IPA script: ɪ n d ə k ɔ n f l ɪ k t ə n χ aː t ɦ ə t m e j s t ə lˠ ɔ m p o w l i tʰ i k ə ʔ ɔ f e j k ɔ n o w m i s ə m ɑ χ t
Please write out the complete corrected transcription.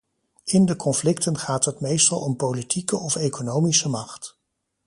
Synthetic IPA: ɪ n d ə k ɔ n f l ɪ k t ə n χ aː t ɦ ə t m e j s t ɑ lˠ ɔ m p o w l i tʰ i k ə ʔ ɔ f e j k o n o w m i s ə m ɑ χ t